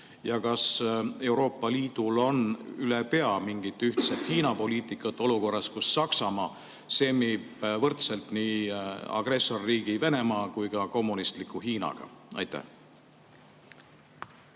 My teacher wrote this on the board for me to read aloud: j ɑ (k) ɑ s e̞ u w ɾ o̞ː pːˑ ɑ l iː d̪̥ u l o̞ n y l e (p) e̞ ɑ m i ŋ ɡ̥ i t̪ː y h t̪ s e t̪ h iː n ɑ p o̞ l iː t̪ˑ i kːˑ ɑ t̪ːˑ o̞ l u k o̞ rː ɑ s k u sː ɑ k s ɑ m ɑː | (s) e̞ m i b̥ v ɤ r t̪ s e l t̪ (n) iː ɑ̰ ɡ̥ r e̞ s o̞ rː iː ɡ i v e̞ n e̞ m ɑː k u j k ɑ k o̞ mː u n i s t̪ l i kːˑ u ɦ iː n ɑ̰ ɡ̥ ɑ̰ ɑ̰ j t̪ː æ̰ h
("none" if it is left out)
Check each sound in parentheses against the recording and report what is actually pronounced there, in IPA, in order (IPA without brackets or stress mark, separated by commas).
k, p, s, n